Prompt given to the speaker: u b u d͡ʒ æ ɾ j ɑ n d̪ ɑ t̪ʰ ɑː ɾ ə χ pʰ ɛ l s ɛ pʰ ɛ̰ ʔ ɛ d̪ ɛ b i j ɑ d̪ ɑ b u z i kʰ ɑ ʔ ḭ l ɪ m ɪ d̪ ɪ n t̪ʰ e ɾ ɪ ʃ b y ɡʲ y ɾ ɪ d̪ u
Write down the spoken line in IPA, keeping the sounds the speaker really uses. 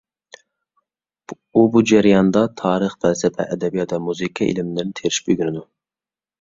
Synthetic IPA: u b u d͡ʒ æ ɾ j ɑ n d̪ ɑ t̪ʰ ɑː ɾ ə χ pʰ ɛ l s ɛ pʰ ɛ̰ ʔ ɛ d̪ ɛ b i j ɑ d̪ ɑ m u z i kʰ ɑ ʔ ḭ l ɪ m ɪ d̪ ɪ n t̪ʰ e ɾ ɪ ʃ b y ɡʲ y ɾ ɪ d̪ u